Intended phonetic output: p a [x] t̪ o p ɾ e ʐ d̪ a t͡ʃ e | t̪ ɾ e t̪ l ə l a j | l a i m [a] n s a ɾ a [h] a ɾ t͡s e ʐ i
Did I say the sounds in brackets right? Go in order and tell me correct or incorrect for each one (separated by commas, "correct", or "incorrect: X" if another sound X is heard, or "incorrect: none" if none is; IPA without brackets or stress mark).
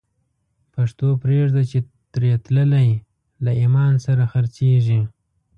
incorrect: ʂ, incorrect: ɑ, incorrect: x